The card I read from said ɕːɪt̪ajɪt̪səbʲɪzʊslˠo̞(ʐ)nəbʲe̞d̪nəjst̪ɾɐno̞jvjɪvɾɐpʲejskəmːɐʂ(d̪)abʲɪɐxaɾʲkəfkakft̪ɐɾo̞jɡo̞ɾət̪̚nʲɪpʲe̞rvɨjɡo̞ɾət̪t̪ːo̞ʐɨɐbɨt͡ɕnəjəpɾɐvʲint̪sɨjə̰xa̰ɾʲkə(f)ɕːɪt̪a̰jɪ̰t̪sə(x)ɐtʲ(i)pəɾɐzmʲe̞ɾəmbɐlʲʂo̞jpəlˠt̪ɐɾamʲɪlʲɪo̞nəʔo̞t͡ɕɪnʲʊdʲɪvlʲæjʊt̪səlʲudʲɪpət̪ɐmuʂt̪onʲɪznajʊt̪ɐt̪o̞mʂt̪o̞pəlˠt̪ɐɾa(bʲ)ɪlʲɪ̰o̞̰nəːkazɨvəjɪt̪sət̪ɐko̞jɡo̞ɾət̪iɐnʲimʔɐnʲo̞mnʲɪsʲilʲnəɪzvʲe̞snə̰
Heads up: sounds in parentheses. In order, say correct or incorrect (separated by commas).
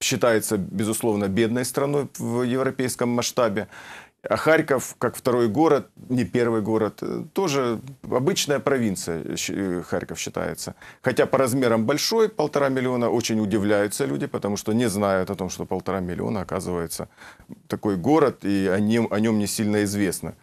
incorrect, incorrect, correct, correct, incorrect, incorrect